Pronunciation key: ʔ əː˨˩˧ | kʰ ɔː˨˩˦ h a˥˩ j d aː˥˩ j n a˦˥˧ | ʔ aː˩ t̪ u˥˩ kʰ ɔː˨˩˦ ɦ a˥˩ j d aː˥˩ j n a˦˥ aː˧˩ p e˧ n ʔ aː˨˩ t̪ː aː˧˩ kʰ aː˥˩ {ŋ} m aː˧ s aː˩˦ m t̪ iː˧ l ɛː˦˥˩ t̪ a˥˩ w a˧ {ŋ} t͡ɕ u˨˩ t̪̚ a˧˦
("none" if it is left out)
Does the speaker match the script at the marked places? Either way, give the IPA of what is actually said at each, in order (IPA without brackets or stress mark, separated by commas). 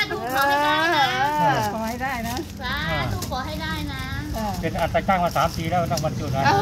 ŋ, n